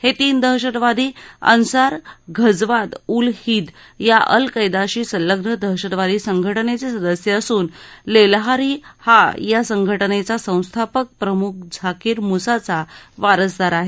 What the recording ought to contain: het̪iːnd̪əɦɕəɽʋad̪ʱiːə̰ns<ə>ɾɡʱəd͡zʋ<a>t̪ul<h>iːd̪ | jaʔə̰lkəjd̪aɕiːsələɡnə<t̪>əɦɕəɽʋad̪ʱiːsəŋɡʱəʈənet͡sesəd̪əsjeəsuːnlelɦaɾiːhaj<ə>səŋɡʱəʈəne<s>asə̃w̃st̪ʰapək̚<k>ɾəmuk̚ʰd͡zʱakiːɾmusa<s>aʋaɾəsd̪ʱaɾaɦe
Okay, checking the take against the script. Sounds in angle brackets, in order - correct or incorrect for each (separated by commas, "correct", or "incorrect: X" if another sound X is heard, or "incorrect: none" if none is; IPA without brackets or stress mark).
incorrect: a, correct, correct, incorrect: d̪, incorrect: a, incorrect: t͡s, incorrect: p, incorrect: t͡s